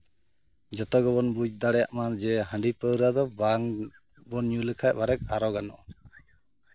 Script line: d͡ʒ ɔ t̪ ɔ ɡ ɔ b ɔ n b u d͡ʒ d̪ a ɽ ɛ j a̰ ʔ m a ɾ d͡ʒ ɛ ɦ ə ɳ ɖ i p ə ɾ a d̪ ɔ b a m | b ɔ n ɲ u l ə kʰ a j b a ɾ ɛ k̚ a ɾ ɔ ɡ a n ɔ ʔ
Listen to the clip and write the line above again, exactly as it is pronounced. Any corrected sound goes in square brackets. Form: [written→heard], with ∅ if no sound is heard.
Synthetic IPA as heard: d͡ʒ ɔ t̪ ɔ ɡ ɔ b ɔ n b u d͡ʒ d̪ a ɽ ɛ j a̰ ʔ m a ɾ d͡ʒ ɛ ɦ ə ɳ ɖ i p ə ɾ a d̪ ɔ b a [m→ŋ] | b ɔ n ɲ u l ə kʰ a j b a ɾ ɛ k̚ a ɾ ɔ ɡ a n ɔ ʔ